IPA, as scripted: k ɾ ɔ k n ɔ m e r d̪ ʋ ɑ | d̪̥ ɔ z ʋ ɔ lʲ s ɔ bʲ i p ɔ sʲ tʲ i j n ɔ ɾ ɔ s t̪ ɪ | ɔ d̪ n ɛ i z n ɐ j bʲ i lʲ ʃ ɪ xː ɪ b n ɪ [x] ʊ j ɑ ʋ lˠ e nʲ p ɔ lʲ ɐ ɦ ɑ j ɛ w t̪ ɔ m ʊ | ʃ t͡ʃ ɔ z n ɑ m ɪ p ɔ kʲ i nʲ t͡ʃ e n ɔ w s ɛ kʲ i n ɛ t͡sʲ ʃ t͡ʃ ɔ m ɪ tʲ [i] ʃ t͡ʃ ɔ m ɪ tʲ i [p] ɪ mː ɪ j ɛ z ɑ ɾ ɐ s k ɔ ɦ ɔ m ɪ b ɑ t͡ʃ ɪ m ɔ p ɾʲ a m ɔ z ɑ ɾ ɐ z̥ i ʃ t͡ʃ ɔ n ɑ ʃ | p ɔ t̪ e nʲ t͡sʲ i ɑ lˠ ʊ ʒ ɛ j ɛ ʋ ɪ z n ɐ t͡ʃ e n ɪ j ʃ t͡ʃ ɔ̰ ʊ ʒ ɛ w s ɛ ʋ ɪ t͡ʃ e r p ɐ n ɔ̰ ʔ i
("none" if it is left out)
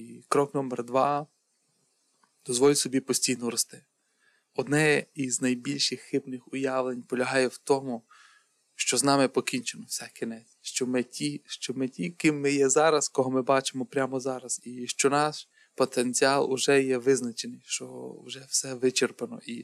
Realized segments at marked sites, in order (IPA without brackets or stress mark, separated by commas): x, i, k